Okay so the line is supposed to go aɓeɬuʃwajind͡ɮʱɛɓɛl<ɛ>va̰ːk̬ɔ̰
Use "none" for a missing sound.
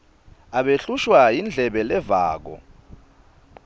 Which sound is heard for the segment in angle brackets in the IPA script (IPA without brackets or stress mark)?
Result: ɛ